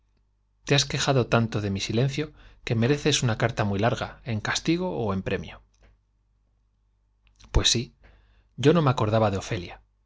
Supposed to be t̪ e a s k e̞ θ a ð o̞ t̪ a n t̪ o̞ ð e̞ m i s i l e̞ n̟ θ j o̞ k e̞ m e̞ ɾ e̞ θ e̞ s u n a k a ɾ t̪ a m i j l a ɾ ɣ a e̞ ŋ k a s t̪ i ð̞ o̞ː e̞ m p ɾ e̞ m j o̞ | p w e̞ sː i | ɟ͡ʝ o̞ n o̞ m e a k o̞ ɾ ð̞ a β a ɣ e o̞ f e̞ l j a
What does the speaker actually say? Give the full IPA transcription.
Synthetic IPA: t̪ e a s k e̞ x a ð o̞ t̪ a n t̪ o̞ ð e̞ m i s i l e̞ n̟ θ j o̞ k e̞ m e̞ ɾ e̞ θ e̞ s u n a k a ɾ t̪ a m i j l a ɾ ɣ a e̞ ŋ k a s t̪ i ɣ̞ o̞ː e̞ m p ɾ e̞ m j o̞ | p w e̞ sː i | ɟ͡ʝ o̞ n o̞ m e a k o̞ ɾ ð̞ a β a ð e o̞ f e̞ l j a